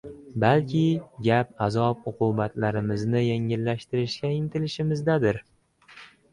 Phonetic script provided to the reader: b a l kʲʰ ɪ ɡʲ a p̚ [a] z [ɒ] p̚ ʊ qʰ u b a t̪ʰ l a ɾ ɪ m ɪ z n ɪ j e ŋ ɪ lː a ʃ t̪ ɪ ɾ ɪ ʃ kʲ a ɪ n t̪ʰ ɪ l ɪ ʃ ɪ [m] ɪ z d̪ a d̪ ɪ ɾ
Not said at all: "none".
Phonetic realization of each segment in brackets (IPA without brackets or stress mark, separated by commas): a, ɒ, m